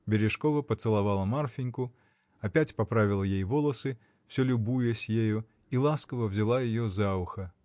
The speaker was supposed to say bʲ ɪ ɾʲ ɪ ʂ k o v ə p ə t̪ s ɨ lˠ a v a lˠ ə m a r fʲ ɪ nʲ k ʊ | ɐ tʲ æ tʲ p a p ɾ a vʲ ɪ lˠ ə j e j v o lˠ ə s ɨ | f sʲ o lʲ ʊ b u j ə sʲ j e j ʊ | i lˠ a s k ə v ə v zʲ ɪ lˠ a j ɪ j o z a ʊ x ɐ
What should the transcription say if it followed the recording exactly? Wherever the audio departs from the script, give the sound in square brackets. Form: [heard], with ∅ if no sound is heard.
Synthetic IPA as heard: bʲ ɪ ɾʲ ɪ ʂ k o v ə p ə t̪ s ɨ lˠ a v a lˠ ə m a r fʲ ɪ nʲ k ʊ | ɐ [pʲ] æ tʲ p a p ɾ a vʲ ɪ lˠ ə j e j v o lˠ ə s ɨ | f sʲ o lʲ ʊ b u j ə sʲ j e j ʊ | i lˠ a s k ə v ə v zʲ ɪ lˠ a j ɪ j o z a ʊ x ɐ